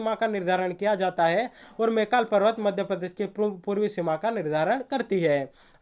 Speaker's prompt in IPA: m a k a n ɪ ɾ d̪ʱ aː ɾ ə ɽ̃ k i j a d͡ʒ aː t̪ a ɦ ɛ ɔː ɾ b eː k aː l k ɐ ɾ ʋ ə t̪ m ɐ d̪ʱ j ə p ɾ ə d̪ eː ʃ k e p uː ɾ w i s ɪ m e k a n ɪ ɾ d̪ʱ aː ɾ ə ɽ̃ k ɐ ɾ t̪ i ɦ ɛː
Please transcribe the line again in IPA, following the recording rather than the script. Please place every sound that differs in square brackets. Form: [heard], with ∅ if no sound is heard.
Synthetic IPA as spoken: m a k a n ɪ ɾ d̪ʱ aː ɾ ə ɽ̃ k i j a d͡ʒ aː t̪ a ɦ ɛ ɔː ɾ [m] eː k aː l [p] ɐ ɾ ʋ ə t̪ m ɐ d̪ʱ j ə p ɾ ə d̪ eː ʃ k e p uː ɾ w i s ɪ m [a] k a n ɪ ɾ d̪ʱ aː ɾ ə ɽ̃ k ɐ ɾ t̪ i ɦ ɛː